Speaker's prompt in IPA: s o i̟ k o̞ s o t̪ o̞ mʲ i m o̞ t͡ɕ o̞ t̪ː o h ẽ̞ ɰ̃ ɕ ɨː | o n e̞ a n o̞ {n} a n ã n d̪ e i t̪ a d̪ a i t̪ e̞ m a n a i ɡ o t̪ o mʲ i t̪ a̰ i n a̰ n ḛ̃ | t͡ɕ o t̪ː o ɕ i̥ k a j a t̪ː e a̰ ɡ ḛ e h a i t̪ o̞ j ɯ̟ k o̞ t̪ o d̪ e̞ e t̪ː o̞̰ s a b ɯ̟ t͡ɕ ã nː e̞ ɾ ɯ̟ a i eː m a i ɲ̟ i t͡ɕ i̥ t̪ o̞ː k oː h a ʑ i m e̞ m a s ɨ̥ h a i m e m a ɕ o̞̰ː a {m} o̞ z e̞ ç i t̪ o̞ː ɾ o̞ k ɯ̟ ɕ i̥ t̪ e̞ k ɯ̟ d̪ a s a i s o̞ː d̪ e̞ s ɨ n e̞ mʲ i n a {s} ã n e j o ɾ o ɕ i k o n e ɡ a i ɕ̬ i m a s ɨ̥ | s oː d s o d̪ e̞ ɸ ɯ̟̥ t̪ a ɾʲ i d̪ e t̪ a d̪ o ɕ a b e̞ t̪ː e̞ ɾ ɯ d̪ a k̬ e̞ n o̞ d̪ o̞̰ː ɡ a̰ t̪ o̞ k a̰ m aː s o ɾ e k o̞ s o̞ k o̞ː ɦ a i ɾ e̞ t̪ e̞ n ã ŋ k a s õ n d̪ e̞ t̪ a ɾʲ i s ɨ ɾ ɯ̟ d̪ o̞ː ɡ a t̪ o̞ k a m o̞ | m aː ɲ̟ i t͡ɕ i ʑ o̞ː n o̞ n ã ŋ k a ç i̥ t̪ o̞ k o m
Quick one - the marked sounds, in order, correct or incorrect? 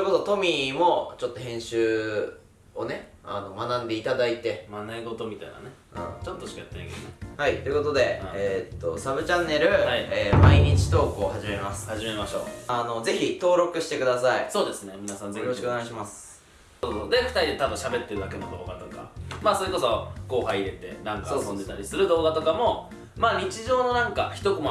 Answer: incorrect: m, incorrect: n, correct

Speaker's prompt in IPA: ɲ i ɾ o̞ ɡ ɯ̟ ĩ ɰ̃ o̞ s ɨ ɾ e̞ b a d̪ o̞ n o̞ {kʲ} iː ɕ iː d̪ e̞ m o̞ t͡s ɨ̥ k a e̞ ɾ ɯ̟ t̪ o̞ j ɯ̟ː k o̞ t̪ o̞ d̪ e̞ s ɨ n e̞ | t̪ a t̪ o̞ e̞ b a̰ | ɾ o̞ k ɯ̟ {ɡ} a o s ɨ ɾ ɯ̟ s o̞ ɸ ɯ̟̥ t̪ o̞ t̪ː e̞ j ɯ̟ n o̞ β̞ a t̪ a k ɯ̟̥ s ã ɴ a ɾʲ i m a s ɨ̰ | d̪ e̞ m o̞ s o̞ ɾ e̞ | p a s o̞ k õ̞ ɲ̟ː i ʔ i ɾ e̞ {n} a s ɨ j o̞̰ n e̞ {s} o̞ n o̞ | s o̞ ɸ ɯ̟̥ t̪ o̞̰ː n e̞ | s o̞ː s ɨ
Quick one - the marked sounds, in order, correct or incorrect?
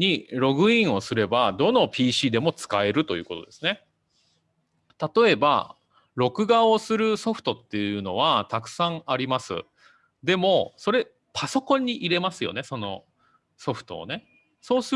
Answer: incorrect: pʲ, correct, incorrect: m, correct

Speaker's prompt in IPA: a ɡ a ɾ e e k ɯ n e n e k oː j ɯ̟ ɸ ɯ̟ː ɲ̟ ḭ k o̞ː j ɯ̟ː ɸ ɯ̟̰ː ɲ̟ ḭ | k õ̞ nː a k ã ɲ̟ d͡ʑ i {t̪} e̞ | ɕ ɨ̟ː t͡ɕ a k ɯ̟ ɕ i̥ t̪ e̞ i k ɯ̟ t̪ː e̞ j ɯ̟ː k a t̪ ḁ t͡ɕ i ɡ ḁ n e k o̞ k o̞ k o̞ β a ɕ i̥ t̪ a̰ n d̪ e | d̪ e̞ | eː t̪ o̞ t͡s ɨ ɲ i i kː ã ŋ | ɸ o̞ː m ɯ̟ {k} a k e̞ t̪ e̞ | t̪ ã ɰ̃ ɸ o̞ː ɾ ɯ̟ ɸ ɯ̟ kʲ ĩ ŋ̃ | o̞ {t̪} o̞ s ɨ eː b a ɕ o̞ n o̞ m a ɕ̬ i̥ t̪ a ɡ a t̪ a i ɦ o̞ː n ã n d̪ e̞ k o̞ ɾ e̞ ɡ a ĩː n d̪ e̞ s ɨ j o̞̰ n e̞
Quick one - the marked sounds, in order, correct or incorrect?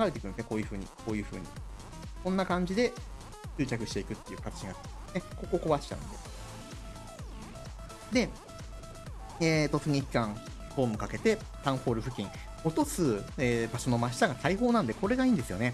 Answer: incorrect: d̪, correct, correct

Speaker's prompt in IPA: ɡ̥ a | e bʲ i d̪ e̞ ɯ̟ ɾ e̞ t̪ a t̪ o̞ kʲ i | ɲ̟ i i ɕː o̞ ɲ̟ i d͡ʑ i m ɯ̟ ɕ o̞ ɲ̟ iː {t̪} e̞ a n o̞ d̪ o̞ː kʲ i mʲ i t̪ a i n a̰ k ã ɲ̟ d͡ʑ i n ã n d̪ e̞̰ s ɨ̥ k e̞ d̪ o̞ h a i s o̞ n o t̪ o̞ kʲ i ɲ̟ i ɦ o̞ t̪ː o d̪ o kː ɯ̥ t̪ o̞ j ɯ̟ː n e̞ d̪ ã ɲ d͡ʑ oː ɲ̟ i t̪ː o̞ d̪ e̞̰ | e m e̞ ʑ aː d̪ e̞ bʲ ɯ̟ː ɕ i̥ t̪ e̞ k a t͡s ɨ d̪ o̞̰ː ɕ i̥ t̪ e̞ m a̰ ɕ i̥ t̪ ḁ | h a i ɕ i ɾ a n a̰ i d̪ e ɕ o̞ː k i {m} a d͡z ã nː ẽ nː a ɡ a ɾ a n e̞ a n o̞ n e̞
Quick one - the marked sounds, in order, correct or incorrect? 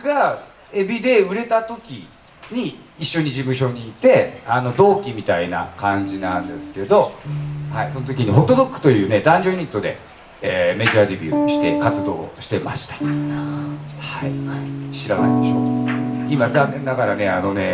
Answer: correct, correct

